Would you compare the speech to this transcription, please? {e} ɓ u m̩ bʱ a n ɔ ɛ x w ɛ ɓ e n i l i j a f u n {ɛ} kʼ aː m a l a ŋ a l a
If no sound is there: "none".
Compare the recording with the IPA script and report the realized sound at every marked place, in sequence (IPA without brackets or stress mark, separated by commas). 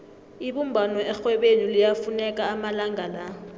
i, ɛ